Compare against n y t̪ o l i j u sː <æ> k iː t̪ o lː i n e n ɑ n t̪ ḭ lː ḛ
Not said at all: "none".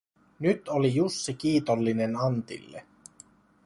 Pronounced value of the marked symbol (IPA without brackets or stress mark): i